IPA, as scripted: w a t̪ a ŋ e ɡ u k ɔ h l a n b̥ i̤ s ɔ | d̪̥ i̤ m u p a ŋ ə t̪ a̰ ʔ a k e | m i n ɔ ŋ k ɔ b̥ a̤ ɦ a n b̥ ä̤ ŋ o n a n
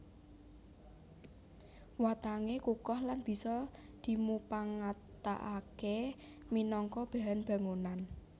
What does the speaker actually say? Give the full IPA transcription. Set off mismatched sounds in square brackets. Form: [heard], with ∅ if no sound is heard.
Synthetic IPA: w a t̪ a ŋ e [k] u k ɔ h l a n b̥ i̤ s ɔ | d̪̥ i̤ m u p a ŋ [a] t̪ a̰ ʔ a k e | m i n ɔ ŋ k ɔ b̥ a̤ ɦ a n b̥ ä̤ ŋ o n a n